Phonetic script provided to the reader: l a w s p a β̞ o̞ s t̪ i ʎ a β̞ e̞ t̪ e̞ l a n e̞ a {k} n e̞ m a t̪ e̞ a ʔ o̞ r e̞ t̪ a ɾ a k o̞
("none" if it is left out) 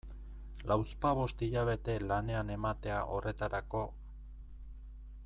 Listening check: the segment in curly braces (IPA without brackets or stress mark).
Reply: none